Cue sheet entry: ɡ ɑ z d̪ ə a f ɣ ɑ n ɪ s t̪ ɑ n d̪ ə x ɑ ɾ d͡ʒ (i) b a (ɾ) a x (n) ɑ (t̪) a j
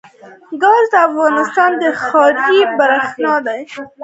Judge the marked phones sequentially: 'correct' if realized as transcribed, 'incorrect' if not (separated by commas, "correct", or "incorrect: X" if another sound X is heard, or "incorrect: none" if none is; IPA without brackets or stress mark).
correct, correct, correct, incorrect: d̪